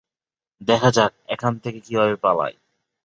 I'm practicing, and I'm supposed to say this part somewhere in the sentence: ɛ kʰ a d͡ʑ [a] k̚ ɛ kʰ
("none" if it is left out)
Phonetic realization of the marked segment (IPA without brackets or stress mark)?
a